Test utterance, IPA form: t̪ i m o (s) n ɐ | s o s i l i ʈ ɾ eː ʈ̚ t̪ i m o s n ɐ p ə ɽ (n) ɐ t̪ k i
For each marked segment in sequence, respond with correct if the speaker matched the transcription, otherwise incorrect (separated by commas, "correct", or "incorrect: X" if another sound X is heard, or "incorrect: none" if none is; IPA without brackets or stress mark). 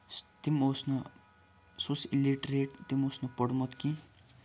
correct, incorrect: m